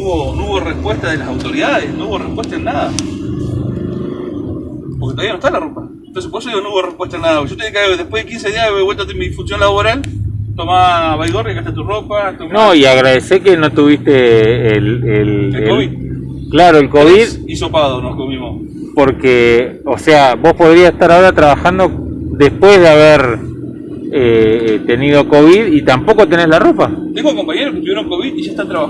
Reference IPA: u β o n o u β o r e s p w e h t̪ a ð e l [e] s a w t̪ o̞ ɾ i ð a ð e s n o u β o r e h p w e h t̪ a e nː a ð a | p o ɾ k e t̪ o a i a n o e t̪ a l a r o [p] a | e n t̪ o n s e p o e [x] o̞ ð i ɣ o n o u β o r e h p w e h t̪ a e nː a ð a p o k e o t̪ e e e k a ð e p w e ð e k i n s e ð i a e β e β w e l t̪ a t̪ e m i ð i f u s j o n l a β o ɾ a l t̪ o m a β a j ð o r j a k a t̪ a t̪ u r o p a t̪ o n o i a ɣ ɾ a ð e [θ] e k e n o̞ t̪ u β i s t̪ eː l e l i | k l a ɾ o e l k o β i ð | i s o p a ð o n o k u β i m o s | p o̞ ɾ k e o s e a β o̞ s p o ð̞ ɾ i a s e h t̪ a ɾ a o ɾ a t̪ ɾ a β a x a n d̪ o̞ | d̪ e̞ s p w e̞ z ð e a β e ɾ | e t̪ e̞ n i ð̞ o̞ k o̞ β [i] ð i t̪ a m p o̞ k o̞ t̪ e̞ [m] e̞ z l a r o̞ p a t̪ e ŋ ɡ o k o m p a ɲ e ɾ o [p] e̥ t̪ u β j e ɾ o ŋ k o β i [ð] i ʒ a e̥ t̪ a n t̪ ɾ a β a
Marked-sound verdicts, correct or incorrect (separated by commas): incorrect, correct, incorrect, incorrect, correct, incorrect, incorrect, correct